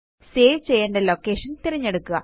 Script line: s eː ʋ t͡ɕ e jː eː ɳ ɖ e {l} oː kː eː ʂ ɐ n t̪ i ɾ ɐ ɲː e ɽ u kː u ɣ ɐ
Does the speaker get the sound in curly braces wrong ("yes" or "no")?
no